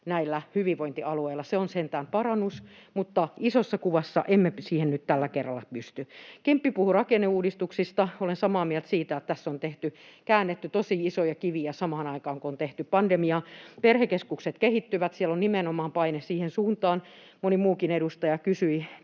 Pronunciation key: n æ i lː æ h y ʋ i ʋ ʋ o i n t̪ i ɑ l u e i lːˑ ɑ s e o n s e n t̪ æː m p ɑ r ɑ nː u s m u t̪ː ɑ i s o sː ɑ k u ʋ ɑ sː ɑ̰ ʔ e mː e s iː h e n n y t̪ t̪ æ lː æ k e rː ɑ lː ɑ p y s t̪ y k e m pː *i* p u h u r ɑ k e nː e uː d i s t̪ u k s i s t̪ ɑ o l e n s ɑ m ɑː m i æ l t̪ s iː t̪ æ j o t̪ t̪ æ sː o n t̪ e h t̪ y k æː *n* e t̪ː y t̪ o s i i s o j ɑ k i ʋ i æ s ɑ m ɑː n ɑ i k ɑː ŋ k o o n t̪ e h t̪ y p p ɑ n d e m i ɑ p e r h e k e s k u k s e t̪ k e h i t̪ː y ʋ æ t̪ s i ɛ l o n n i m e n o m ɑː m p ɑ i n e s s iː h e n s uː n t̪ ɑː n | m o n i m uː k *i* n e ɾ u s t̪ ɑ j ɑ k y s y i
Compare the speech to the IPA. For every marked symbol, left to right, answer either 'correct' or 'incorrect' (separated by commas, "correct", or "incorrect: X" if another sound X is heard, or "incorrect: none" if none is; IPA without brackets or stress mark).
correct, incorrect: nː, correct